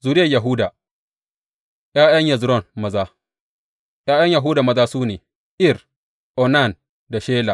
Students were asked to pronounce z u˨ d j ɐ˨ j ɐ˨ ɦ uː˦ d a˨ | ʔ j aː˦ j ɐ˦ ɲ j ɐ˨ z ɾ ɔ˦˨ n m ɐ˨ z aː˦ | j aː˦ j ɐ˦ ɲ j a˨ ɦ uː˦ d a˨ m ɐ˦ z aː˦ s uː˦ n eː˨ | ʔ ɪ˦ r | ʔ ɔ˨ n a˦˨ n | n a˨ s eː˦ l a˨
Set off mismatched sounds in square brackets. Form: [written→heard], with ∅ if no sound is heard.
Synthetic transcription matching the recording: z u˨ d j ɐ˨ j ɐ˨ ɦ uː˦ d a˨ | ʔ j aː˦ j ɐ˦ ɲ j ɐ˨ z ɾ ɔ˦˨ n m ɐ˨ z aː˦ | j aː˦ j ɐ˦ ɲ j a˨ ɦ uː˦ d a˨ m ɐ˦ z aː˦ s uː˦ n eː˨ | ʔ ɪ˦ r | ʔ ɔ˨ n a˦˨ n | [n→d] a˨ [s→ʃ] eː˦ l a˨